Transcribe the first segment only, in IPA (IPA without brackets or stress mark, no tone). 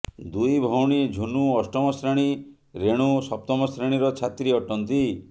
d̪